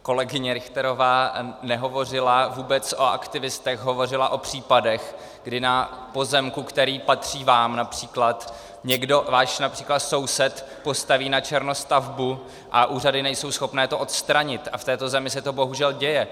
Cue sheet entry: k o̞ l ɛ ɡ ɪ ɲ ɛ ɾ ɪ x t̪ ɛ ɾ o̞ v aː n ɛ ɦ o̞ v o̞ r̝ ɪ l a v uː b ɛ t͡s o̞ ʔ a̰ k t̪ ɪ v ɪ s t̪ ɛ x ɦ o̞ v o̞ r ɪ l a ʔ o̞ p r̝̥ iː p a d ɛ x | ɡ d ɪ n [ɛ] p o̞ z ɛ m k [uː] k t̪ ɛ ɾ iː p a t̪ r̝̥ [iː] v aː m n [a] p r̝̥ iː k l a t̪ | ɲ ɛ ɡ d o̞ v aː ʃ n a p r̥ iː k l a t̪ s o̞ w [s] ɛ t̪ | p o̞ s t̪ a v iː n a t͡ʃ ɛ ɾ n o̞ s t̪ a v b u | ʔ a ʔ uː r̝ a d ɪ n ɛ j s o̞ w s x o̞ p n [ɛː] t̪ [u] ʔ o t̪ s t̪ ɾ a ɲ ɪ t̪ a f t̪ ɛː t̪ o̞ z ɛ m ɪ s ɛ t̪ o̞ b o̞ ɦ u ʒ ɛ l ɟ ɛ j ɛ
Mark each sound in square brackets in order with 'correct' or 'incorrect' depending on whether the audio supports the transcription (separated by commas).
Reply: incorrect, incorrect, correct, correct, correct, correct, incorrect